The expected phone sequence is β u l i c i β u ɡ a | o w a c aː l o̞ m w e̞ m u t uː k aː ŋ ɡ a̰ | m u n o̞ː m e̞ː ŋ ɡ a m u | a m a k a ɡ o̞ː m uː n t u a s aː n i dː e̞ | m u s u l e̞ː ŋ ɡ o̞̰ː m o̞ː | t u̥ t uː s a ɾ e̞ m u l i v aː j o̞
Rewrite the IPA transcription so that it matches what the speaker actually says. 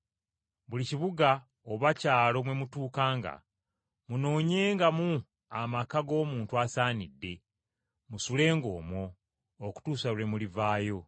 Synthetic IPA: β u l i c i β u ɡ a | o β a c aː l o̞ m w e̞ m u t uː k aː ŋ ɡ a̰ | m u n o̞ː ɲ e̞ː ŋ ɡ a m u | a m a k a ɡ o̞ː m uː n t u a s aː n i dː e̞ | m u s u l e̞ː ŋ ɡ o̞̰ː m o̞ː | k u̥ t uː s a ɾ e̞ m u l i v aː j o̞

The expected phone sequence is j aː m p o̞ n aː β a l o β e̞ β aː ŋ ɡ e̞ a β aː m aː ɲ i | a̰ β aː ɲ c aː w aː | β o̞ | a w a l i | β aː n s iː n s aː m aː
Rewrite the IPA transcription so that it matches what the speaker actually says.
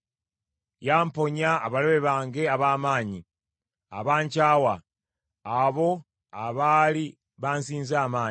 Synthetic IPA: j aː m p o̞ ɲ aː β a l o β e̞ β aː ŋ ɡ e̞ a β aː m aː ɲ i | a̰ β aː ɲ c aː w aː | β o̞ | a β a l i | β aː n s iː n z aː m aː

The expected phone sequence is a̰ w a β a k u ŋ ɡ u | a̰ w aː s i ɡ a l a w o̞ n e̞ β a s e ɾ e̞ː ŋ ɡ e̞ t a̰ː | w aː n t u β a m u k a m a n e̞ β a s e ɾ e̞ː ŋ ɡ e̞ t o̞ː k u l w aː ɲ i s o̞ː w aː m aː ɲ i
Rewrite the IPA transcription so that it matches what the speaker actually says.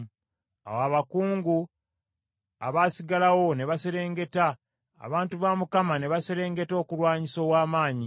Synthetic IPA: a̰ w a β a k uː ŋ ɡ u | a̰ β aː s i ɡ a l a w o̞ n e̞ β a s e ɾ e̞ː ŋ ɡ e̞ t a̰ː | β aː n t u β a m u k a m a n e̞ β a s e ɾ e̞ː ŋ ɡ e̞ t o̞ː k u l w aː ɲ i s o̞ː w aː m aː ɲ i

